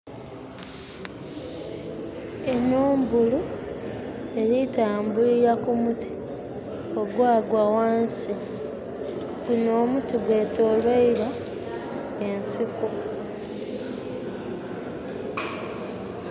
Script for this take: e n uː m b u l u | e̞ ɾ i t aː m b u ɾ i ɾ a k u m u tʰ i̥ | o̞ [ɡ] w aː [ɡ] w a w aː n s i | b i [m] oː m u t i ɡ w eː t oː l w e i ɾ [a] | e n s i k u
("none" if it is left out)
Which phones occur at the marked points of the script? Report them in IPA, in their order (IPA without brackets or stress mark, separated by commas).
ɡ, ɡ, n, a